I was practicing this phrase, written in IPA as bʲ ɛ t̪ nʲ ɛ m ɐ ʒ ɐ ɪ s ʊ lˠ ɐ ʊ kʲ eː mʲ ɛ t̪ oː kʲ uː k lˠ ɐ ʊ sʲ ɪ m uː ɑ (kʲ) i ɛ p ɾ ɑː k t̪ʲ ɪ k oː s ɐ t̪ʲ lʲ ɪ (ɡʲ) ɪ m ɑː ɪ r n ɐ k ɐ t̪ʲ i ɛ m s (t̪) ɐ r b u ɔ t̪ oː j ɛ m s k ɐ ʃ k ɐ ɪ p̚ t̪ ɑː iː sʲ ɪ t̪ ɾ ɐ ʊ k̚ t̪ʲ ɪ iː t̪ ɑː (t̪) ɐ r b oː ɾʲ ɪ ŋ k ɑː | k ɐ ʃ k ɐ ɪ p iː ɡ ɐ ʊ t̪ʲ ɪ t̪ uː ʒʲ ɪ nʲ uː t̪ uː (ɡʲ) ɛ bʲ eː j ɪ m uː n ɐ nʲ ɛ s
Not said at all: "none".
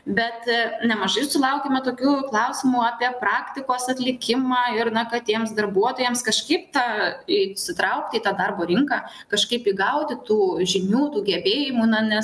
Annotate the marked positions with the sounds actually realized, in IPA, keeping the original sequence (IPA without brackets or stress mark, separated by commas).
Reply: pʲ, kʲ, d̪, d̪, ɡʲ